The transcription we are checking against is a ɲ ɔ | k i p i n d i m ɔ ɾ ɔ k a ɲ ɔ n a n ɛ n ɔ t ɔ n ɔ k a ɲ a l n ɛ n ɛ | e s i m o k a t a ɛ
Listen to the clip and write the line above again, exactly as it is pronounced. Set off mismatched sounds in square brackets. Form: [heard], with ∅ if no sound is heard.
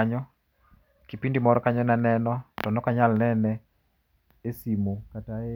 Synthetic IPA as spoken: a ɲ ɔ | k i p i n d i m ɔ ɾ ɔ k a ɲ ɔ n a n ɛ n ɔ t ɔ n ɔ k a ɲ a l n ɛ n ɛ | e s i m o k a t a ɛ

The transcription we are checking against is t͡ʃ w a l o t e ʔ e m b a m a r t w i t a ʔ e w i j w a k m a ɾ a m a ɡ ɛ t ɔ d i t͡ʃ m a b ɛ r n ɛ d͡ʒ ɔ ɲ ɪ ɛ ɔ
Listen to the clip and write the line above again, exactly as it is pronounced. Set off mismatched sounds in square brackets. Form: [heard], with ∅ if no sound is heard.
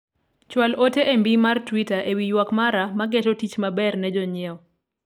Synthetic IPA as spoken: t͡ʃ w a l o t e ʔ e m b [i] m a r t w i t a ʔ e w i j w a k m a ɾ a m a ɡ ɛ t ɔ [t] i t͡ʃ m a b ɛ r n ɛ d͡ʒ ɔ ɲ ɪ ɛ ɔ

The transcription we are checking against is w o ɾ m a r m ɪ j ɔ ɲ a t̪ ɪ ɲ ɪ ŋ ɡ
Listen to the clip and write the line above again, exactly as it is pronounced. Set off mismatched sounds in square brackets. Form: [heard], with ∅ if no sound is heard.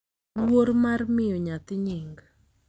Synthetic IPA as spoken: w o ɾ m a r m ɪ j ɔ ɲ a t̪ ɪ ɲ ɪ ŋ ɡ

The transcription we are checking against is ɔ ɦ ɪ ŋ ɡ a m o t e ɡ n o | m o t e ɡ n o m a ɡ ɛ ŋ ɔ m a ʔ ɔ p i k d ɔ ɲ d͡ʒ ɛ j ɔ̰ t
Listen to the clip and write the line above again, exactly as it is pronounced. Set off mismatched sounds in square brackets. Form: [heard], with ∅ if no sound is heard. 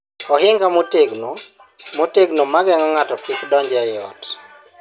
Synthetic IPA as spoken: ɔ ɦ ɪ ŋ ɡ a m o t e ɡ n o | m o t e ɡ n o m a ɡ ɛ ŋ ɔ [ŋ] a [t] ɔ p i k d ɔ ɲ d͡ʒ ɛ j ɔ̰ t

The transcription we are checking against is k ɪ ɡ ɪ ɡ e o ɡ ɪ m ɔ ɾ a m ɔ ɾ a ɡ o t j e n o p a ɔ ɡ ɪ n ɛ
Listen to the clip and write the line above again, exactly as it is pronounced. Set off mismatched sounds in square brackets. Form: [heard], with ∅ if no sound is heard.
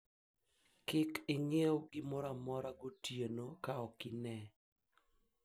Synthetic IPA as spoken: k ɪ [k] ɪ [ŋ] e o ɡ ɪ m ɔ ɾ a m ɔ ɾ a ɡ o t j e n o [k] a ɔ [k] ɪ n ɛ

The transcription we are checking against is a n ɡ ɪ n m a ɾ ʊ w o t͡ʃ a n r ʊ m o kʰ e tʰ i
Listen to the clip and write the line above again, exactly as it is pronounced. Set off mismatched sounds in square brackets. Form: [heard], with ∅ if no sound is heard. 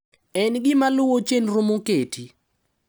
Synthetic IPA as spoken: [ɛ] n ɡ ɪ [∅] m a [l] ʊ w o t͡ʃ [e] n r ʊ m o [k] e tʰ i

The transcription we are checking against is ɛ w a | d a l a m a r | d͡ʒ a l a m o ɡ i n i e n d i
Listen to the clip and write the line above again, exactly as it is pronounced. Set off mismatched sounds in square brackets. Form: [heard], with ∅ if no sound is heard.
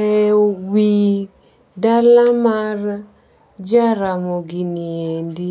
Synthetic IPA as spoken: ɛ w [i] | d a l a m a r | d͡ʒ a [ɾ] a m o ɡ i n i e n d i

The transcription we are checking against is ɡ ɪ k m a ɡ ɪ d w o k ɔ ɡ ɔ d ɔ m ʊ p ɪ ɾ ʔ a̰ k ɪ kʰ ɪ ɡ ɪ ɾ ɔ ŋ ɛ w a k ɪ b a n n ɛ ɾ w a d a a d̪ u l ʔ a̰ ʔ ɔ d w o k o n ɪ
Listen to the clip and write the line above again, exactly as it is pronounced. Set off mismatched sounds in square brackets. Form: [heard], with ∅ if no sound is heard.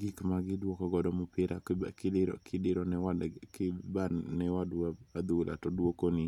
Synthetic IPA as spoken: ɡ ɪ k m a ɡ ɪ d w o k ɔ ɡ ɔ d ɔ m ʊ p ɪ ɾ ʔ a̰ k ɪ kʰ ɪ [d] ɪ ɾ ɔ [n] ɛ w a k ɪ b a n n ɛ [∅] w a d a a d̪ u l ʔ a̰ [t] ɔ d w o k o n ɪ

